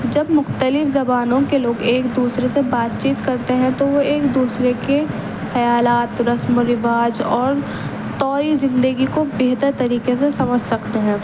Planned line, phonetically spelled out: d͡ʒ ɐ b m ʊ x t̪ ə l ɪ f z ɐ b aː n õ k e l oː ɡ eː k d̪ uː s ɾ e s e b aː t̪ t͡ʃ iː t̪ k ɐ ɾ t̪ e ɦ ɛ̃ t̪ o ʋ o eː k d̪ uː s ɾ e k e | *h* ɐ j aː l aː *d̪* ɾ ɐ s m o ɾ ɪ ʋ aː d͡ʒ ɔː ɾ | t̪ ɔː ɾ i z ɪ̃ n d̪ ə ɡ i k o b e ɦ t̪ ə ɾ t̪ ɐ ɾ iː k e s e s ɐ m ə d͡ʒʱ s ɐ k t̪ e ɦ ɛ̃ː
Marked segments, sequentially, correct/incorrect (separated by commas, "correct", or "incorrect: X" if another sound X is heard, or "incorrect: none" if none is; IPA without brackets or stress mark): incorrect: x, incorrect: t̪